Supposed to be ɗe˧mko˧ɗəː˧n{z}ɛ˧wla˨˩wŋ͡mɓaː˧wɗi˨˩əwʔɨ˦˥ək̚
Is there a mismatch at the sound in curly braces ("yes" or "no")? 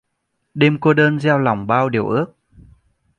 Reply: no